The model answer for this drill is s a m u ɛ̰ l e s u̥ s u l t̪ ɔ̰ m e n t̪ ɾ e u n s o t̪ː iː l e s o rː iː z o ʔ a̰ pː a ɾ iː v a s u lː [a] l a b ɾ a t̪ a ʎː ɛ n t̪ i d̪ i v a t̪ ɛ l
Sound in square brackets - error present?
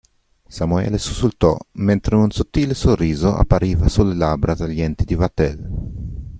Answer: yes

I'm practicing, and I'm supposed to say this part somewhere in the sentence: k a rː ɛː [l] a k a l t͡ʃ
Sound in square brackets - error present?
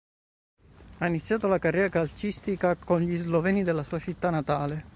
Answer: yes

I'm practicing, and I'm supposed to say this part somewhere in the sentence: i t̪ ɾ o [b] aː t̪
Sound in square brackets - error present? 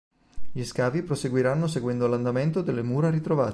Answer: yes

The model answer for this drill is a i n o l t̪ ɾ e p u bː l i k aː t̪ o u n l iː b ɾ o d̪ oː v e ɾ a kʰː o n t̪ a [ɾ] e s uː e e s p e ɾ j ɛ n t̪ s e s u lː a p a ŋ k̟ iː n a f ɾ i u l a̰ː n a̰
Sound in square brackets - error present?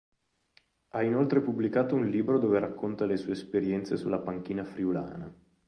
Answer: yes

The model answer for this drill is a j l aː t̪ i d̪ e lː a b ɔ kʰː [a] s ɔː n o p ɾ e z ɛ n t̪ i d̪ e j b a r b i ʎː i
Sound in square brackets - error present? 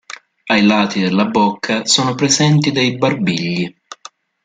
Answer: no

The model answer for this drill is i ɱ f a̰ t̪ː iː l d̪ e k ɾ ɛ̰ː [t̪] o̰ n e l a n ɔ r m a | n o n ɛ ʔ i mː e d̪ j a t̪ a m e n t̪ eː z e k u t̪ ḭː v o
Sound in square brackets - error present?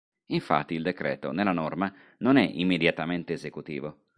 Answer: no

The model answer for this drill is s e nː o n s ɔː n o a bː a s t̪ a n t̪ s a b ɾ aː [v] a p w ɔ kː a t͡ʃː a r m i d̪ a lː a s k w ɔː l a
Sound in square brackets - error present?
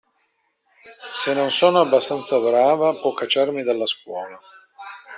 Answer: no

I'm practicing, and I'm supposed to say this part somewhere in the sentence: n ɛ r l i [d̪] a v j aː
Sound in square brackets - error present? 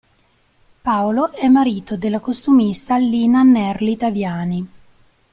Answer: yes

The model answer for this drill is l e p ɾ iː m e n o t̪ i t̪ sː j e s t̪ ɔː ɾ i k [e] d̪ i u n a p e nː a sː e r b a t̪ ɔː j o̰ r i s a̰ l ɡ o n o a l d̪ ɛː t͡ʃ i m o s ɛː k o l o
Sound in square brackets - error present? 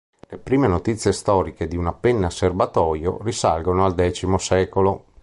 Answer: no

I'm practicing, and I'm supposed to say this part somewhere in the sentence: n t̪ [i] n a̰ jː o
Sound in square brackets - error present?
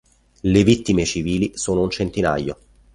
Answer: no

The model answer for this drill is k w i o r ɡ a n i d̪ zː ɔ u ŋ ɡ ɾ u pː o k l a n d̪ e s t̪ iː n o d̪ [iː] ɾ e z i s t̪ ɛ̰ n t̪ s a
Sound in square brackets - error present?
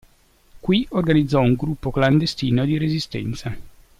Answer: yes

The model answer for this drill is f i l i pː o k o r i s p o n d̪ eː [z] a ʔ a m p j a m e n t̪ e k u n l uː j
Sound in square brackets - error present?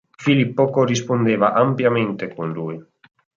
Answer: yes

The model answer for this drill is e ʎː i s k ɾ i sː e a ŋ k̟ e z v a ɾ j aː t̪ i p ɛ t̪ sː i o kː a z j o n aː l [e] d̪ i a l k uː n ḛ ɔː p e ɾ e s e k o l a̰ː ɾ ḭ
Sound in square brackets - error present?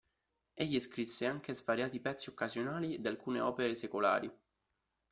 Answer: yes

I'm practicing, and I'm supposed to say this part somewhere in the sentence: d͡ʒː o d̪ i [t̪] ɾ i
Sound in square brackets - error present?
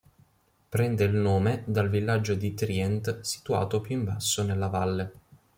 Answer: no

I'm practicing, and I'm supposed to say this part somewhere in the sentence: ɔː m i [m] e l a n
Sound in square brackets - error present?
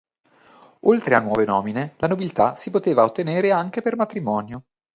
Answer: yes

